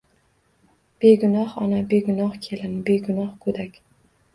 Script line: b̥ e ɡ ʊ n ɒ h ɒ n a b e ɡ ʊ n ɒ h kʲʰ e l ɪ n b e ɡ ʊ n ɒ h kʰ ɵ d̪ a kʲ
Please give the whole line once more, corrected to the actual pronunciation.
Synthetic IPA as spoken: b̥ e ɡ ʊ n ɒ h ɒ n a b e ɡ ʊ n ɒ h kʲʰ e l ɪ n b e ɡ ʊ n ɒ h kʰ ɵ d̪ a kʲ

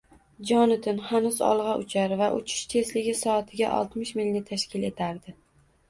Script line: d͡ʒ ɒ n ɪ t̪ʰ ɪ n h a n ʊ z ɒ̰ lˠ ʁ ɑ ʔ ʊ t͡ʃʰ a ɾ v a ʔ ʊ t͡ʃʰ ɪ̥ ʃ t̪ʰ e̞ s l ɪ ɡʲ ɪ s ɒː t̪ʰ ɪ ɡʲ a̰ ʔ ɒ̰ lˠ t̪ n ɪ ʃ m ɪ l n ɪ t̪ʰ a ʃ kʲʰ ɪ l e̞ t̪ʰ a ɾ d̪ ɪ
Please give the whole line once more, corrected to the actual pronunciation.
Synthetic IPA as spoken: d͡ʒ ɒ n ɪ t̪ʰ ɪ n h a n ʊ z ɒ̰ lˠ ʁ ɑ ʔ ʊ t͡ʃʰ a ɾ v a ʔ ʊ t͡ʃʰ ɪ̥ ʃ t̪ʰ e̞ s l ɪ ɡʲ ɪ s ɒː t̪ʰ ɪ ɡʲ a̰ ʔ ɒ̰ lˠ t̪ m ɪ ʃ m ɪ l n ɪ t̪ʰ a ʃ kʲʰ ɪ l e̞ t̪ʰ a ɾ d̪ ɪ

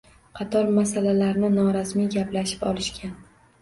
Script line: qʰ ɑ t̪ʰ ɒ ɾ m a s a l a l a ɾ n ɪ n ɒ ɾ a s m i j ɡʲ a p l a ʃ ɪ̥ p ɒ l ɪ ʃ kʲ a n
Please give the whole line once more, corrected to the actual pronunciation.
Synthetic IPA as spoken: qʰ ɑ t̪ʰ ɒ ɾ m a s a l a l a ɾ n ɪ n ɒ ɾ a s m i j ɡʲ a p l a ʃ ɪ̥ p ɒ l ɪ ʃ kʲ a n

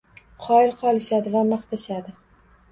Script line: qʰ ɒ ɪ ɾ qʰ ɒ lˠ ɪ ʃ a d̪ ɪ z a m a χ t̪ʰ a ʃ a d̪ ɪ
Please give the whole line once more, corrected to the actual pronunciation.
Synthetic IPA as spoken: qʰ ɒ ɪ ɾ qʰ ɒ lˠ ɪ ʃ a d̪ ɪ v a m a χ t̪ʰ a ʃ a d̪ ɪ

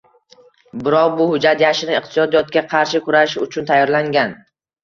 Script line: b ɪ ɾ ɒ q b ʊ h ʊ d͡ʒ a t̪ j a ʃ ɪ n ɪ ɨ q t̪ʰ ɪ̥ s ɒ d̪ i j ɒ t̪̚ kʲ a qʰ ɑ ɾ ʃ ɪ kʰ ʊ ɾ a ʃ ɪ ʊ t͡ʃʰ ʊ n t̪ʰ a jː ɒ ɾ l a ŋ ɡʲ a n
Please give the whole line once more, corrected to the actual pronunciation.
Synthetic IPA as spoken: b ɪ ɾ ɒ q b ʊ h ʊ d͡ʒ a t̪ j a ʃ ɪ n ɪ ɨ q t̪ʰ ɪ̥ s ɒ d̪ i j ɒ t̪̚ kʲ a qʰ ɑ ɾ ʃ ɪ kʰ ʊ ɾ a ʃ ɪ ʊ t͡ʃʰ ʊ n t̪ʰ a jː ɒ ɾ l a ŋ ɡʲ a n

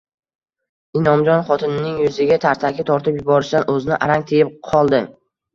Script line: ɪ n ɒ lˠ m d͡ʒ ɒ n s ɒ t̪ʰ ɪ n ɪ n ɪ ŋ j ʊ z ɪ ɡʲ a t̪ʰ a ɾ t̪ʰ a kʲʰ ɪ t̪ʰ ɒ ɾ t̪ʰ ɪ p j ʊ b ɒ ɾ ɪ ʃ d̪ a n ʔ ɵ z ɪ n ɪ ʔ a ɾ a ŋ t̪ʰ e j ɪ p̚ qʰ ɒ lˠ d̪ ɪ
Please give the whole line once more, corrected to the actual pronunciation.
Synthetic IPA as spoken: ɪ n ɒ m d͡ʒ ɒ n χ ɒ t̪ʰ ɪ n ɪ n ɪ ŋ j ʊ z ɪ ɡʲ a t̪ʰ a ɾ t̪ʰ a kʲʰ ɪ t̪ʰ ɒ ɾ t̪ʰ ɪ p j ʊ b ɒ ɾ ɪ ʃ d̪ a n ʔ ɵ z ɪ n ɪ ʔ a ɾ a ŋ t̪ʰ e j ɪ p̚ qʰ ɒ lˠ d̪ ɪ

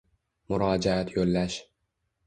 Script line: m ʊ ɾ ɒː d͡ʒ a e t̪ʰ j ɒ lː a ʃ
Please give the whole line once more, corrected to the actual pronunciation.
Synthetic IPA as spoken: m ʊ ɾ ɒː d͡ʒ a a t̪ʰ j o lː a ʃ

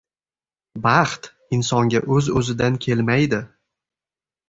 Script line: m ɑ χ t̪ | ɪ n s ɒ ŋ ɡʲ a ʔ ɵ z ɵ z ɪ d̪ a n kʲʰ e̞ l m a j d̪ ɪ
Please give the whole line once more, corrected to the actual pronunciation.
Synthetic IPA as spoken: b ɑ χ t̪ | ɪ n s ɒ ŋ ɡʲ a ʔ ɵ z ɵ z ɪ d̪ a n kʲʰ e̞ l m a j d̪ ɪ

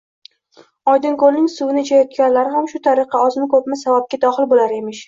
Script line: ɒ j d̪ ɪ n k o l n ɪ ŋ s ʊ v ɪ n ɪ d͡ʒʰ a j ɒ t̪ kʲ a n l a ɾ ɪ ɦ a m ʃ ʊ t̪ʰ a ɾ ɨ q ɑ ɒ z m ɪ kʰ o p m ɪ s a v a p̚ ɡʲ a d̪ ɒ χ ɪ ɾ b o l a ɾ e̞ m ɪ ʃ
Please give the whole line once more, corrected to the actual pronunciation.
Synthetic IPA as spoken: ɒ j d̪ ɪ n k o l n ɪ ŋ s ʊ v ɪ n ɪ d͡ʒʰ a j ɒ t̪ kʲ a n l a ɾ ɪ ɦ a m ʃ ʊ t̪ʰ a ɾ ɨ q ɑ ɒ z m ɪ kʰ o p m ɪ s a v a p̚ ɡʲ a d̪ ɒ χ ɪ l b o l a ɾ e̞ m ɪ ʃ

